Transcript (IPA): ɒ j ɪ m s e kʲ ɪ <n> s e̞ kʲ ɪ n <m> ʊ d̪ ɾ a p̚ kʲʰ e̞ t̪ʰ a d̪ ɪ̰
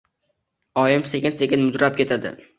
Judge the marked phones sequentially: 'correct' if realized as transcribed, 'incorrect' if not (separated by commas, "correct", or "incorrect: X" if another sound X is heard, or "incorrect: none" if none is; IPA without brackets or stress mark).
correct, correct